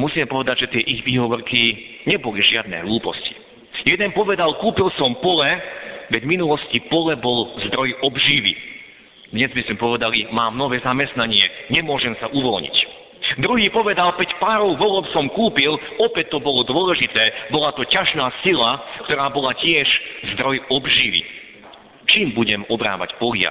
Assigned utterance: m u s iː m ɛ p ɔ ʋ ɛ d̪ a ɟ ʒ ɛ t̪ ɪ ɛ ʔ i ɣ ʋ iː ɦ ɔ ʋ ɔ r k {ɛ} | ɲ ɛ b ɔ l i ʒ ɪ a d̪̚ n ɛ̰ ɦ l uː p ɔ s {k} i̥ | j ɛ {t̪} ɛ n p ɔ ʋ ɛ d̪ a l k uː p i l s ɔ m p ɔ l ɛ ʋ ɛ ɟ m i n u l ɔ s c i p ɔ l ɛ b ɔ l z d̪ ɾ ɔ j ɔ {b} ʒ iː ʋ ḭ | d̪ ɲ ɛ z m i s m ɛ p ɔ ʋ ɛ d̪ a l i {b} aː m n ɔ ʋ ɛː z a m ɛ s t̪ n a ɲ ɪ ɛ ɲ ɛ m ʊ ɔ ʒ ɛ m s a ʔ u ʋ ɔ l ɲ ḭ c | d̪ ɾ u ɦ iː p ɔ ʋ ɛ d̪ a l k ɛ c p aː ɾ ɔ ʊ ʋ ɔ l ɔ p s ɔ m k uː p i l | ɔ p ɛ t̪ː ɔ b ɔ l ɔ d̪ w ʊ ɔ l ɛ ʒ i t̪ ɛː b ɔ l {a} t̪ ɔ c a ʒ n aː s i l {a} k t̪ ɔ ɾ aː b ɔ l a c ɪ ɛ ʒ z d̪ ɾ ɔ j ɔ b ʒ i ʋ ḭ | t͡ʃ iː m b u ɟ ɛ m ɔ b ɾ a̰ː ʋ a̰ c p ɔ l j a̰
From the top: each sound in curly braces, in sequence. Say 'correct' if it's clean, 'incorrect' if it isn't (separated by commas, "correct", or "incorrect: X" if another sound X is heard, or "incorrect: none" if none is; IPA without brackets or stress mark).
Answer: incorrect: i, incorrect: c, incorrect: d̪, correct, incorrect: m, correct, correct